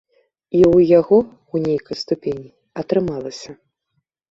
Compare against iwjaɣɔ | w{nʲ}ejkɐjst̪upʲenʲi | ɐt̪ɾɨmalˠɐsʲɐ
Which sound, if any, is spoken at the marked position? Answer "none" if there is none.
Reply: nʲ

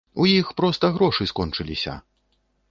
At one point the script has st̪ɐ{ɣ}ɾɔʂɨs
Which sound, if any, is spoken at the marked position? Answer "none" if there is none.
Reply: ɣ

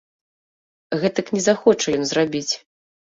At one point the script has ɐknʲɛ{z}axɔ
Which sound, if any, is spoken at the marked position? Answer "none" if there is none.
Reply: z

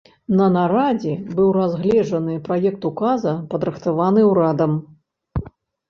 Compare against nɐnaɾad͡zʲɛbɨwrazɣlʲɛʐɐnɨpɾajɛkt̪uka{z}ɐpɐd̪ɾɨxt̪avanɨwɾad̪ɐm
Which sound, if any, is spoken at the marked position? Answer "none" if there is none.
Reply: z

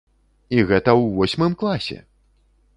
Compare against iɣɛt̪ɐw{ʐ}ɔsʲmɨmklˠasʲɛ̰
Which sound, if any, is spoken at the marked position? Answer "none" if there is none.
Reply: v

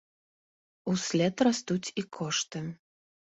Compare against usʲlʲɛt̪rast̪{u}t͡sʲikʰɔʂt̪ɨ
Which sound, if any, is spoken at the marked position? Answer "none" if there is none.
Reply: u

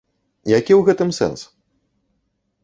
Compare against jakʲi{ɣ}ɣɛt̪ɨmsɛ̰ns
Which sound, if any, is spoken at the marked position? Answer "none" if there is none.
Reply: w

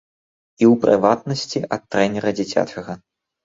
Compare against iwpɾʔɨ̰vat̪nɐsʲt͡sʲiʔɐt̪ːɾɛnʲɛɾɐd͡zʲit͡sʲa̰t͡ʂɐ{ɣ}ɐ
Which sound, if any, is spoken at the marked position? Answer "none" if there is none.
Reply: ɣ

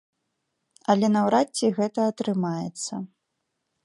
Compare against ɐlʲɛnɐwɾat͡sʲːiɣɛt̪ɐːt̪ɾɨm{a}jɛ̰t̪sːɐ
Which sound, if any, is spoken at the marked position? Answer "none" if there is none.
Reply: a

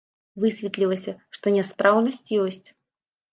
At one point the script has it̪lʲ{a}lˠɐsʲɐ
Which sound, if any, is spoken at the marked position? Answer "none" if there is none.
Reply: i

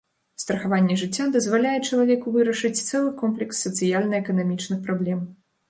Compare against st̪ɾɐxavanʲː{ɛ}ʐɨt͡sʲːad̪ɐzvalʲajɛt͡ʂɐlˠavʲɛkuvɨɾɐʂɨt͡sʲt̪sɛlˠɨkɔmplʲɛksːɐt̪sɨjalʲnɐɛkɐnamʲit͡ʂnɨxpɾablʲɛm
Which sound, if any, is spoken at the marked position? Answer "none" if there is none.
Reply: ɛ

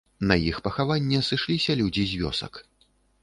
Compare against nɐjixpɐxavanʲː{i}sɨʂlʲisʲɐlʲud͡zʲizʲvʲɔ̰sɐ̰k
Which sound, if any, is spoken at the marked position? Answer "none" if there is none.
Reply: ɛ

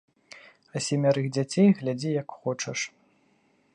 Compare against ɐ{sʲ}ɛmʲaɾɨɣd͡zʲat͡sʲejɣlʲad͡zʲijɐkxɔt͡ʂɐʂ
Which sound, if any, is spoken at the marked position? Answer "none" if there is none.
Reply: sʲ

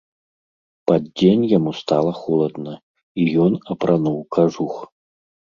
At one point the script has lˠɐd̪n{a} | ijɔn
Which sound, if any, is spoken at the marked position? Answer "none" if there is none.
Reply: ɐ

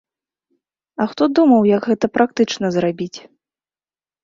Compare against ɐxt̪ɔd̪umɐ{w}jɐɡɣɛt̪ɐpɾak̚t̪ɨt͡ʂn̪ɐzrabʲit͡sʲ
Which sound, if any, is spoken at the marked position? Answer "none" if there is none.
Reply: w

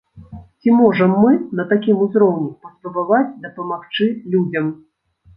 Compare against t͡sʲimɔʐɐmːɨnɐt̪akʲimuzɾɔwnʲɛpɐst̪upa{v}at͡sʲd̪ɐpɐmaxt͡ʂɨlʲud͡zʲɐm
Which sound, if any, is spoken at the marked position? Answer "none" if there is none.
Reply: v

